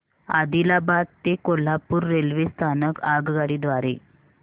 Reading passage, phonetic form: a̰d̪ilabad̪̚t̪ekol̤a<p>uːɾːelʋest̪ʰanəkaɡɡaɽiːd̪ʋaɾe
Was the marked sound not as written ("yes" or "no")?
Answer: no